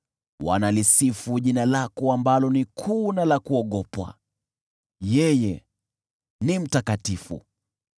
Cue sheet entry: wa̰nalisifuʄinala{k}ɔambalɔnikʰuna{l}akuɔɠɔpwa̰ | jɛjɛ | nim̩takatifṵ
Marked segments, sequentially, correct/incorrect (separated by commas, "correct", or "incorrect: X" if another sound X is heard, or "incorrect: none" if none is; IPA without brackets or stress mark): correct, correct